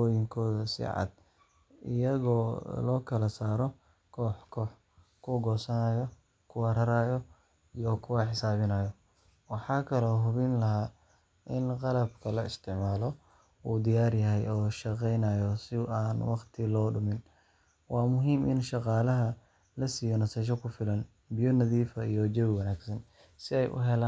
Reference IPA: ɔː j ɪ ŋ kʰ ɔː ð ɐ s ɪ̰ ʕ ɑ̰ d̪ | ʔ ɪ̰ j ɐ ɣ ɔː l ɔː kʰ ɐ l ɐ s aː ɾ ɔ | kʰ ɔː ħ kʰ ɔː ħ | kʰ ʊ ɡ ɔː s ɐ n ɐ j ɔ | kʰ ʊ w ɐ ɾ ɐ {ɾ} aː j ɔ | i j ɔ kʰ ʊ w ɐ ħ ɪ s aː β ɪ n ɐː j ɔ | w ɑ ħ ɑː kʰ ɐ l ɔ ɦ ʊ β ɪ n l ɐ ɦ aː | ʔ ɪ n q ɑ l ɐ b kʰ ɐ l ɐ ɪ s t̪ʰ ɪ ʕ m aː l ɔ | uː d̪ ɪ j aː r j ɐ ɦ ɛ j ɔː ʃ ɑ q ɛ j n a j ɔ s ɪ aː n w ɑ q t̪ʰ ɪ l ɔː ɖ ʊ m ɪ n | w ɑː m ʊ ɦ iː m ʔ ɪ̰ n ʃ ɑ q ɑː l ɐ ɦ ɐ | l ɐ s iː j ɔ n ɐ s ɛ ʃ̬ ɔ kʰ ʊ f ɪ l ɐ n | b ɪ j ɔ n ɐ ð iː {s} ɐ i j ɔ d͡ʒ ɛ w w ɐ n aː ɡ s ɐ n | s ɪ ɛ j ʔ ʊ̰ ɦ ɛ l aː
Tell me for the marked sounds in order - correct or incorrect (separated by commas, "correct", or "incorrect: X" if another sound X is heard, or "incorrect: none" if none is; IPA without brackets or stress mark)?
correct, incorrect: f